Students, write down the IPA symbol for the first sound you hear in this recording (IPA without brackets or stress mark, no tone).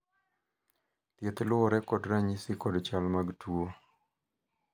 t̪